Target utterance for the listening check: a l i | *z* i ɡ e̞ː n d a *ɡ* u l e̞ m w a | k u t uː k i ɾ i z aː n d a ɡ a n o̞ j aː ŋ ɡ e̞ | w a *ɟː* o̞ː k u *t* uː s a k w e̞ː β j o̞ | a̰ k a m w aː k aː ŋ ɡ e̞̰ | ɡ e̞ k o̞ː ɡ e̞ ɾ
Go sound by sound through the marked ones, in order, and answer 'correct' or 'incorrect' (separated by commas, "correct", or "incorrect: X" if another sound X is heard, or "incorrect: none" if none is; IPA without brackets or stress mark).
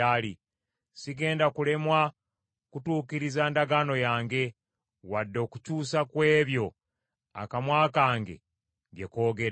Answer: incorrect: s, incorrect: k, incorrect: dː, incorrect: c